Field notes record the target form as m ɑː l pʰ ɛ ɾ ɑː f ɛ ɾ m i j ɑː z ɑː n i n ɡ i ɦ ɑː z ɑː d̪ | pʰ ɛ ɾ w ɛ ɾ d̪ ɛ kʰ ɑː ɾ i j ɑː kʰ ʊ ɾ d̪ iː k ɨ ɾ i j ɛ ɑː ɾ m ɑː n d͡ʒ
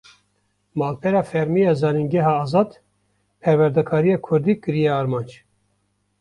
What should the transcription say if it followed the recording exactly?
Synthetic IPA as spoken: m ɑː l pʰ ɛ ɾ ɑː f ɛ ɾ m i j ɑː z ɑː n i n ɡ ɛ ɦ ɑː z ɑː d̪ | pʰ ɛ ɾ w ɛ ɾ d̪ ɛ kʰ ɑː ɾ i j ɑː kʰ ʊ ɾ d̪ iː k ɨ ɾ i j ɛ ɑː ɾ m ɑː n d͡ʒ